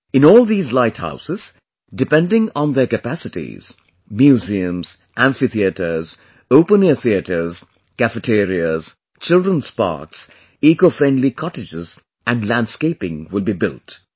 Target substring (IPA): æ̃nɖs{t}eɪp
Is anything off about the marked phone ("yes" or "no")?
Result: yes